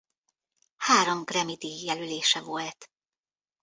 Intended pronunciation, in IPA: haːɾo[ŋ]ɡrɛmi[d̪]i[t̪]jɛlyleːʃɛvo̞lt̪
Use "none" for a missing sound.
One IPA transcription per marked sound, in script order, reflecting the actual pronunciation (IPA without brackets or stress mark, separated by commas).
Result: m, d̪, none